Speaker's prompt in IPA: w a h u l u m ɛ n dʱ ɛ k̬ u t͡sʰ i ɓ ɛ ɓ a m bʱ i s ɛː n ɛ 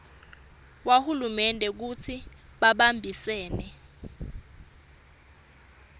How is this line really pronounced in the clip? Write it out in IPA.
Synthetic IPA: w a h u l u m ɛ n dʱ ɛ k̬ u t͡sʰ i ɓ a ɓ a m bʱ i s ɛː n ɛ